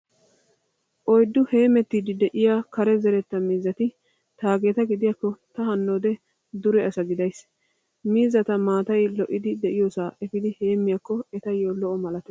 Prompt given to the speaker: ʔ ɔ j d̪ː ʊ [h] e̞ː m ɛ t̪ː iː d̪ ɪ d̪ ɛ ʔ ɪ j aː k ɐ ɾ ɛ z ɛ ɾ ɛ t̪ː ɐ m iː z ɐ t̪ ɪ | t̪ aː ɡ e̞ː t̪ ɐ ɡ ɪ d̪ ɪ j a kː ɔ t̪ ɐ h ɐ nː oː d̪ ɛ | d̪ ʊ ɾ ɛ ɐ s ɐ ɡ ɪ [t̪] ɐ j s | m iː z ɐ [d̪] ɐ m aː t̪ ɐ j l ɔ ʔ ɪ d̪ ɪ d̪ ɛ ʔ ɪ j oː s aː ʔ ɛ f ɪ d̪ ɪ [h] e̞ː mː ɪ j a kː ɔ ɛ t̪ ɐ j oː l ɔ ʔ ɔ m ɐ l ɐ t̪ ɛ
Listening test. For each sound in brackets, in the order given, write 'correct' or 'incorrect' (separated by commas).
correct, incorrect, incorrect, correct